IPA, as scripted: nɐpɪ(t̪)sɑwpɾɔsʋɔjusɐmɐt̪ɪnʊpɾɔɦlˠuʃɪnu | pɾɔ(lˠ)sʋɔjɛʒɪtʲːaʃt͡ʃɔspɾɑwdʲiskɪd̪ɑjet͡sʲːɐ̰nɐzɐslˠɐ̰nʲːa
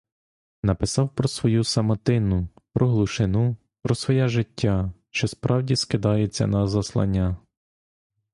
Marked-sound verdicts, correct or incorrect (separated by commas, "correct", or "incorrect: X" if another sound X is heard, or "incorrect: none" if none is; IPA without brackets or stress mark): incorrect: none, incorrect: none